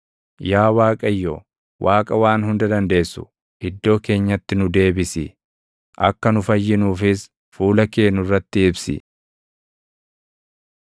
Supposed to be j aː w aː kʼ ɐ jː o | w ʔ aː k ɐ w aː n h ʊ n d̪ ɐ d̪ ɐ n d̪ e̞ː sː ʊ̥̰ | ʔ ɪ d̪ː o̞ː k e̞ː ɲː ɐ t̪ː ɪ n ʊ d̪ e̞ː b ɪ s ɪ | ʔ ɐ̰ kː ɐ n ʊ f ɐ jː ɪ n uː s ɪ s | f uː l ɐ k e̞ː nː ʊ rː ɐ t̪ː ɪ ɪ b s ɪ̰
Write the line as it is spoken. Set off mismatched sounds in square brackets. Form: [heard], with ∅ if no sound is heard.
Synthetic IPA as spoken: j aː w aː kʼ ɐ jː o | w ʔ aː [kʼ] ɐ w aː n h ʊ n d̪ ɐ d̪ ɐ n d̪ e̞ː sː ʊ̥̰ | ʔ ɪ d̪ː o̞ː k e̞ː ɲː ɐ t̪ː ɪ n ʊ d̪ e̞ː b ɪ s ɪ | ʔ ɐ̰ kː ɐ n ʊ f ɐ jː ɪ n uː [f] ɪ s | f uː l ɐ k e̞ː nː ʊ rː ɐ t̪ː ɪ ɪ b s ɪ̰